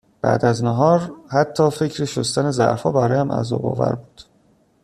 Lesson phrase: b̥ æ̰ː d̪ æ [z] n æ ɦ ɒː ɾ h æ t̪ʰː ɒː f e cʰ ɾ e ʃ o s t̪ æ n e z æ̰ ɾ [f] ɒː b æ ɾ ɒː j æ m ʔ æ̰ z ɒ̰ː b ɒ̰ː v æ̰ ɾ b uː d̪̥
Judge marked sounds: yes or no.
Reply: yes, yes

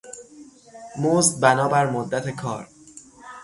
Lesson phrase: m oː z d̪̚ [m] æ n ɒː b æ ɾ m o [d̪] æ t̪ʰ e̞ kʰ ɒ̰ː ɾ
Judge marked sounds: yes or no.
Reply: no, no

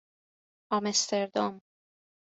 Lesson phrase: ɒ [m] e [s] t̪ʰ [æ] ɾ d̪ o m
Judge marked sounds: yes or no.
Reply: yes, yes, no

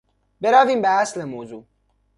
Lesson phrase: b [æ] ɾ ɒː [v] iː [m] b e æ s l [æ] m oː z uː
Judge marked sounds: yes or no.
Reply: no, yes, yes, no

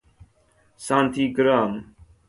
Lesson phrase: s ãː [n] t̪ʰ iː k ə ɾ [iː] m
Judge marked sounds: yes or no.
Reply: yes, no

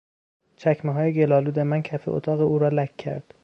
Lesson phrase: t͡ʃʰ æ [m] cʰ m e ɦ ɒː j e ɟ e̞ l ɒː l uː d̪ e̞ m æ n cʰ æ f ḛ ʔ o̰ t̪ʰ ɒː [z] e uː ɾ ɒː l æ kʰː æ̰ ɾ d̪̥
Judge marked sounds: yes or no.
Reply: no, no

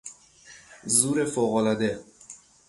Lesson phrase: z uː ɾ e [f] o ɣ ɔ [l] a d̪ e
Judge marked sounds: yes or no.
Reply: yes, yes

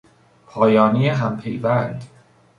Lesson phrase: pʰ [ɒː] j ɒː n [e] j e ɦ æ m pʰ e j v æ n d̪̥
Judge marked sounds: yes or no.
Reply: yes, no

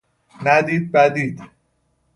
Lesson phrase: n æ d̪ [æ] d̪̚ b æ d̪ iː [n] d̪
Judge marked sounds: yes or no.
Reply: no, no

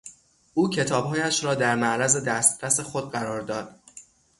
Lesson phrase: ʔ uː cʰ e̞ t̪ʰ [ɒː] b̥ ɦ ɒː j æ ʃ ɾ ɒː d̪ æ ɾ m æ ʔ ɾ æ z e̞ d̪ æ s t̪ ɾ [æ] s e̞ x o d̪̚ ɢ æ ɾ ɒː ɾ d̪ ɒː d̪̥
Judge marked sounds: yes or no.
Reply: yes, yes

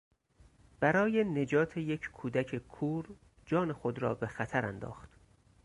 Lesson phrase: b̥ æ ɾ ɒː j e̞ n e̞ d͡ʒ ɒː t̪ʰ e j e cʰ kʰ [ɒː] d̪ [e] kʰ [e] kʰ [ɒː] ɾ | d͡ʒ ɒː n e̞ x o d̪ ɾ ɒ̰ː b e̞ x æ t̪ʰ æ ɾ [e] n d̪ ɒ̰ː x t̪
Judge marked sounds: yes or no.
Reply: no, no, yes, no, no

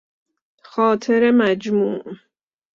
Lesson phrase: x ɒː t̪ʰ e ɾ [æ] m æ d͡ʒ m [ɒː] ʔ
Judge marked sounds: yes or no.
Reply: no, no

